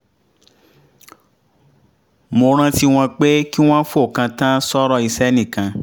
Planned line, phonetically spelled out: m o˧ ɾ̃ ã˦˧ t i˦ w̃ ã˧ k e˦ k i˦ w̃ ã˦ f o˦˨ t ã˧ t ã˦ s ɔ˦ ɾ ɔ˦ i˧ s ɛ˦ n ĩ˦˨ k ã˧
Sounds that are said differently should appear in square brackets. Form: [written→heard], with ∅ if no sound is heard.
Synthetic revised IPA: m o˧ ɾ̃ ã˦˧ t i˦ w̃ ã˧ [k→k͡p] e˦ k i˦ w̃ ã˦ f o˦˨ [t→k] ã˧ t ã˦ s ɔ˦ ɾ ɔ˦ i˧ s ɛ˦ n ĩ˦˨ k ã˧